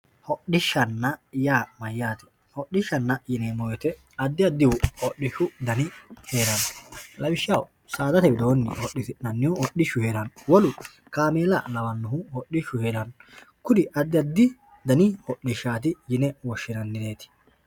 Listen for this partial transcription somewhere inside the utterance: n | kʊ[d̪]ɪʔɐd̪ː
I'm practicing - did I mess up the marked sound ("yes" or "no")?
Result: no